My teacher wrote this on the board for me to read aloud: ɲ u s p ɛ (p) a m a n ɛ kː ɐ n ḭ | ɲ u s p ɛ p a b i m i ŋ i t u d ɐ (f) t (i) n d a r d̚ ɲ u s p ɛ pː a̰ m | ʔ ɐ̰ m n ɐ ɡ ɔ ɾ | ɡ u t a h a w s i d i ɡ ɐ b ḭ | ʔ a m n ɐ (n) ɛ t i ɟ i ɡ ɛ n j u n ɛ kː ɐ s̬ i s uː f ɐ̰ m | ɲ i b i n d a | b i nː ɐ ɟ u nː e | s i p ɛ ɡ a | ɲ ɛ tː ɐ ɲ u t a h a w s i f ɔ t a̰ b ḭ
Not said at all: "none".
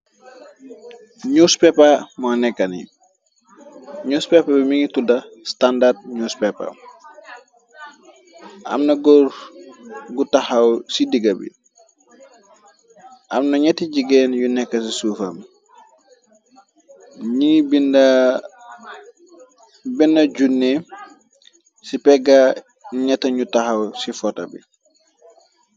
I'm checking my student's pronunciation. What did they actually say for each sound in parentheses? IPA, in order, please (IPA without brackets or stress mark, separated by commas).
p, s, a, ɲ